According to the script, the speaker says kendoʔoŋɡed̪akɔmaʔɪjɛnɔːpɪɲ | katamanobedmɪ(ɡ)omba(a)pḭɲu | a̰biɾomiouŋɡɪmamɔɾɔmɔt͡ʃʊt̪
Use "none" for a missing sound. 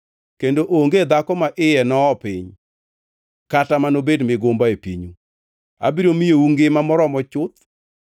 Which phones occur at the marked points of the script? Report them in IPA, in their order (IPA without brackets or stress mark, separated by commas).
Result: ɡ, e